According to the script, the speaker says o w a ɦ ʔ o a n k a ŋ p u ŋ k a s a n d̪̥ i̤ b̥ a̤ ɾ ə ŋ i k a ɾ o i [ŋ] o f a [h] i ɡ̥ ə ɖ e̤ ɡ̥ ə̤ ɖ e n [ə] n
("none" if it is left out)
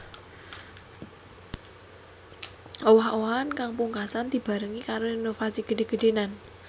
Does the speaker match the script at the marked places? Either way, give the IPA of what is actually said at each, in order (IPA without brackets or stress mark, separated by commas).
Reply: n, s, a